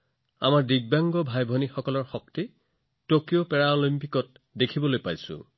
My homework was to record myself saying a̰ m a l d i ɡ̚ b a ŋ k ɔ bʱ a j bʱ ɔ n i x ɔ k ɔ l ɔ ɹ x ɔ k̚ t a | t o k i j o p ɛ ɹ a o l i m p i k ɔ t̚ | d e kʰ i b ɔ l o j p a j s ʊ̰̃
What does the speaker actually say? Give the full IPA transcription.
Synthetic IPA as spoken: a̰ m a ɹ d i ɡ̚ b a ŋ ɡ ɔ bʱ a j bʱ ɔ n i x ɔ k ɔ l ɔ ɹ x ɔ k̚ t i | t o k i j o p ɛ ɹ a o l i m p i k ɔ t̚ | d e kʰ i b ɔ l o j p a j s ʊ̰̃